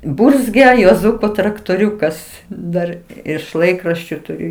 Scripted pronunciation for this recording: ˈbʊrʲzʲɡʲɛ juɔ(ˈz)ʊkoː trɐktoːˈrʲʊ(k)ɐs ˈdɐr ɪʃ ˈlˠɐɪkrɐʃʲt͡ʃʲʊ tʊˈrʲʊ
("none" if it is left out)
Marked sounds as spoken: z, k

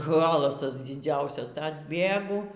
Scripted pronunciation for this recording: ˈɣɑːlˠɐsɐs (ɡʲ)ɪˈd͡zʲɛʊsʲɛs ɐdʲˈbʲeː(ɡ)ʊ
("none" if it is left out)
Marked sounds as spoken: dʲ, ɡ

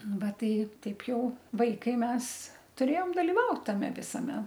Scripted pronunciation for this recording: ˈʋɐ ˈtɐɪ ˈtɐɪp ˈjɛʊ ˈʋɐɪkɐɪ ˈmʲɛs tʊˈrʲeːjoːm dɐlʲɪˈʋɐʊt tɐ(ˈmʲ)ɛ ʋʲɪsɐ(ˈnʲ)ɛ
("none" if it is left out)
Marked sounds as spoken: mʲ, mʲ

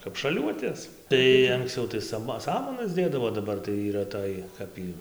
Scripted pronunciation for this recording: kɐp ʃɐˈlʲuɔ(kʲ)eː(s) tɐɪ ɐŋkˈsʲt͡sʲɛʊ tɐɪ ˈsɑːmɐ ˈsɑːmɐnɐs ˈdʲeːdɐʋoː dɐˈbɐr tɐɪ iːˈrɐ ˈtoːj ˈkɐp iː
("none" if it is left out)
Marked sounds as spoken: tʲ, s

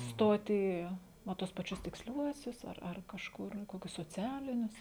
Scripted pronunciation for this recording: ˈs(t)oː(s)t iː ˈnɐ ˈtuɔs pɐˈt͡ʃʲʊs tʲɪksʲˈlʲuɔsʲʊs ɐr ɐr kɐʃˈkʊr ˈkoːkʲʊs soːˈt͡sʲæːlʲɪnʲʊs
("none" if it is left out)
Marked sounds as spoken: t, none

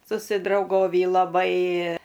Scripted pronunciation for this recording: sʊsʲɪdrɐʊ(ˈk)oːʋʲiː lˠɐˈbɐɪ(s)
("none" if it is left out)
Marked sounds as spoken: ɡ, none

